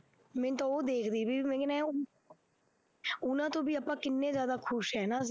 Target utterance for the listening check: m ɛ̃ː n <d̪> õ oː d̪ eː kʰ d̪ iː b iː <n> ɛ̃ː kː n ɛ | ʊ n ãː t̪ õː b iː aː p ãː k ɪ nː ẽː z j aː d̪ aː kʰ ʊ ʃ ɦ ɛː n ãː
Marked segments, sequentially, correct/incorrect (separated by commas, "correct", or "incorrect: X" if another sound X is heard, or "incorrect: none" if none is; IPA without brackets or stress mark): incorrect: t̪, incorrect: m